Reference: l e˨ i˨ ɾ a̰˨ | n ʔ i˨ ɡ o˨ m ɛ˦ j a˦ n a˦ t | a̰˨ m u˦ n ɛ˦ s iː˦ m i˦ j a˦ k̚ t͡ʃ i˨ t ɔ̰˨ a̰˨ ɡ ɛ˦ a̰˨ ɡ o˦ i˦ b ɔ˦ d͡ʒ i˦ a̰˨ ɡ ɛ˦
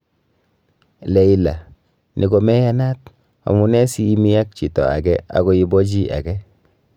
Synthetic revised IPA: l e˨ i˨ l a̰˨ | n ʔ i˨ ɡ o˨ m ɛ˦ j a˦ n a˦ t | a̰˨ m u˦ n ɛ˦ s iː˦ m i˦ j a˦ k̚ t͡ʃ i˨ t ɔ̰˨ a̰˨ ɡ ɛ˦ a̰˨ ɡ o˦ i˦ b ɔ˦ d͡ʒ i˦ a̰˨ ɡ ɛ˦